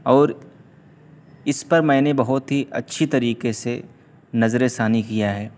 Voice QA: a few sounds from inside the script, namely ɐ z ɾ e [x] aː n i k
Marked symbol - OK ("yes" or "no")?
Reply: no